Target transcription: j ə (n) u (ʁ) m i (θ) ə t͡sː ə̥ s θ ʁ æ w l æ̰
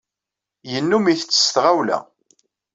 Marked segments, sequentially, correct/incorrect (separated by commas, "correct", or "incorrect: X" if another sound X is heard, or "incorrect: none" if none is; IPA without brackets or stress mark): incorrect: nː, incorrect: none, correct